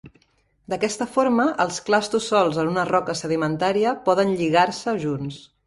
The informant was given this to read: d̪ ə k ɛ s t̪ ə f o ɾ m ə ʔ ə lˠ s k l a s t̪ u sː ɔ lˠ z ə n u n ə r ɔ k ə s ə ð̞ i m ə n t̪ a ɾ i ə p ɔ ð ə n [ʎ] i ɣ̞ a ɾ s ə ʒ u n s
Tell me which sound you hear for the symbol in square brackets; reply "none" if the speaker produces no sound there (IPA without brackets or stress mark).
ʎ